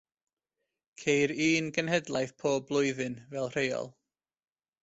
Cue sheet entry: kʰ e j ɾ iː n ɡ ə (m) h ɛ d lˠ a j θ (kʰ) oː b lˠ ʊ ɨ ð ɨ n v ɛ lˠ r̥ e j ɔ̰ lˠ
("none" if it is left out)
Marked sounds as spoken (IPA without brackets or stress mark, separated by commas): n, pʰ